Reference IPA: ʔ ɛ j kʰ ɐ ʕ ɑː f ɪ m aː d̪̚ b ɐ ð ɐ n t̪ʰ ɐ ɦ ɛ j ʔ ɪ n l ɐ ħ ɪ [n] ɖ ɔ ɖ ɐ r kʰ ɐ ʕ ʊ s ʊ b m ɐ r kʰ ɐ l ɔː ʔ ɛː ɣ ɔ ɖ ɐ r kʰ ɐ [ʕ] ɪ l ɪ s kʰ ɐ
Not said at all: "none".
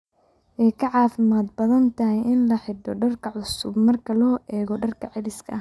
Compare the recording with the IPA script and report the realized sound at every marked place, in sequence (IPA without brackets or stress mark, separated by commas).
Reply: none, ʕ